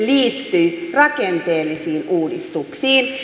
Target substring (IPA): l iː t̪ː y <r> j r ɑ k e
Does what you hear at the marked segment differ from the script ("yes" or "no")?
yes